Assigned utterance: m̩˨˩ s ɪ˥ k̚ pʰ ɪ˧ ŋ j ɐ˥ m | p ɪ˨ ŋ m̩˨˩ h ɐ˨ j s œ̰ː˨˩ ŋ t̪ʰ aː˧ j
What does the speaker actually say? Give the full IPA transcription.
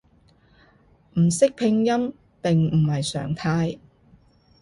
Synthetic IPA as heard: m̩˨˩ s ɪ˥ k̚ pʰ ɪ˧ ŋ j ɐ˥ m | p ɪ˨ ŋ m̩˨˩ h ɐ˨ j s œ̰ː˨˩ ŋ t̪ʰ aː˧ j

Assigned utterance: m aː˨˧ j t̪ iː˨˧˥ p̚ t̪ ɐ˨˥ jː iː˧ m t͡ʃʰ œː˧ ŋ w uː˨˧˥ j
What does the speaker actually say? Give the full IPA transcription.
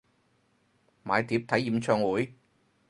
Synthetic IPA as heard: m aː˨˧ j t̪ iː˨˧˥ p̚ t̪ʰ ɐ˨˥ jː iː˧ m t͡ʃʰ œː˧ ŋ w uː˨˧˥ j

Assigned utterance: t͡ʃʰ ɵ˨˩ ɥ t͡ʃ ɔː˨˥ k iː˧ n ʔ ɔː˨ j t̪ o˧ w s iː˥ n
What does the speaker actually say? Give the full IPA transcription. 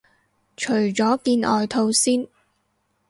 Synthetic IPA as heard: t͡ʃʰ ɵ˨˩ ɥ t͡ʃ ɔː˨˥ k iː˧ n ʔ ɔː˨ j t̪ʰ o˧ w s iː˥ n

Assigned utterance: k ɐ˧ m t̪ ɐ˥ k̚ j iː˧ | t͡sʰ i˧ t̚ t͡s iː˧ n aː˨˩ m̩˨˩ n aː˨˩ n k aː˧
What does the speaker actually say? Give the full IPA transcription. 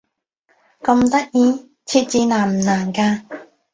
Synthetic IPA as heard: k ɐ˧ m t̪ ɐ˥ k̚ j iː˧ | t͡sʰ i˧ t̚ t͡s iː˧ n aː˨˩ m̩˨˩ n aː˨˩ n k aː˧

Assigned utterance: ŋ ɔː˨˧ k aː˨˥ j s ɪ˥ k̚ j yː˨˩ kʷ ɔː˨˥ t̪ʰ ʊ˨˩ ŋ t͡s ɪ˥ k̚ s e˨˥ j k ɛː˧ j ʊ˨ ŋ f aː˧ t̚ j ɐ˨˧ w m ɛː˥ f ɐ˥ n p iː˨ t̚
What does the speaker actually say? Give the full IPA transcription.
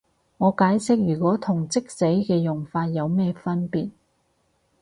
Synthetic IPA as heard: ŋ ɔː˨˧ k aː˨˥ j s ɪ˥ k̚ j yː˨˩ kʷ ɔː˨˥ t̪ʰ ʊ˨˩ ŋ t͡s ɪ˥ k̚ s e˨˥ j k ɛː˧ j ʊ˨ ŋ f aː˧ t̚ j ɐ˨˧ w m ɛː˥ f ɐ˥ n p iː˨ t̚

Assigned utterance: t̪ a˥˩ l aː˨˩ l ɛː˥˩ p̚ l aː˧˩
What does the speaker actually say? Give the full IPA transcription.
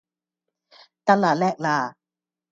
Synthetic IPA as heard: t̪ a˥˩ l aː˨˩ l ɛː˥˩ k̚ l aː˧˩

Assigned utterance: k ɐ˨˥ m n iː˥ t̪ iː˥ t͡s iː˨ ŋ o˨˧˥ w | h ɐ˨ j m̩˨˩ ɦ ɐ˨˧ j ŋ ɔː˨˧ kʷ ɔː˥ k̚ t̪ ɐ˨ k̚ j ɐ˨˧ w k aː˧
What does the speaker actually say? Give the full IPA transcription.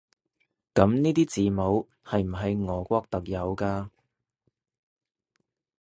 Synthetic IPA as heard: k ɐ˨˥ m n iː˥ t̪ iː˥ t͡s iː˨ m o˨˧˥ w | h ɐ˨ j m̩˨˩ ɦ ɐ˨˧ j ŋ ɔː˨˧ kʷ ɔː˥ k̚ t̪ ɐ˨ k̚ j ɐ˨˧ w k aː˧

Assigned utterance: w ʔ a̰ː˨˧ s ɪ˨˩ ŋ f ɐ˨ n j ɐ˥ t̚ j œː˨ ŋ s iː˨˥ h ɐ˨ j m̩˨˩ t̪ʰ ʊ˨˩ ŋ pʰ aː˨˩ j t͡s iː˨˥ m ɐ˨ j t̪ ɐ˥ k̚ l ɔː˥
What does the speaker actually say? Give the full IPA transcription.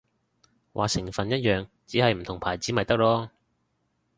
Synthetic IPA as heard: w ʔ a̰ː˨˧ s ɪ˨˩ ŋ f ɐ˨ n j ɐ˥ t̚ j œː˨ ŋ t͡s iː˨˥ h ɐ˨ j m̩˨˩ t̪ʰ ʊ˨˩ ŋ pʰ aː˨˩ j t͡s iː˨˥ m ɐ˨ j t̪ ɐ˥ k̚ l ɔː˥

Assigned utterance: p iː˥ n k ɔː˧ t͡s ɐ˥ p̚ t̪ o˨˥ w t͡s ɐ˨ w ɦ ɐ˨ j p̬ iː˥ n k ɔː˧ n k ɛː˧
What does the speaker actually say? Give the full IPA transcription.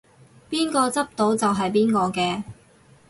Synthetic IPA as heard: p iː˥ n k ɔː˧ t͡s ɐ˥ p̚ t̪ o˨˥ w t͡s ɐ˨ w ɦ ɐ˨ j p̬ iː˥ n k ɔː˧ k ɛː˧

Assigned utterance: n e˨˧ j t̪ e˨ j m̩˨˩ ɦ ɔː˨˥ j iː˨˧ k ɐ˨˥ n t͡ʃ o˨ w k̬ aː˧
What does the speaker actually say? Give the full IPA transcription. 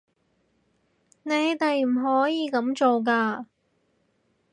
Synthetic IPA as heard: n e˨˧ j t̪ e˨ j m̩˨˩ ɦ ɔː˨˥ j iː˨˧ k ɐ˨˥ m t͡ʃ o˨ w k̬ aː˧

